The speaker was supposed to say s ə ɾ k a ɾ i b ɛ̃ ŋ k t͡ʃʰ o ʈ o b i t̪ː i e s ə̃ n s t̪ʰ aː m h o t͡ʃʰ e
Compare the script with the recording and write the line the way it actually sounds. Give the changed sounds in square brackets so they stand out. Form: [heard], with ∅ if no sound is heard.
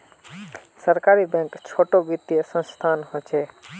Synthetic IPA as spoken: s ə ɾ k a ɾ i b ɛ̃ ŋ k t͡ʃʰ o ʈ o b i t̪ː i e s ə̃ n s t̪ʰ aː [n] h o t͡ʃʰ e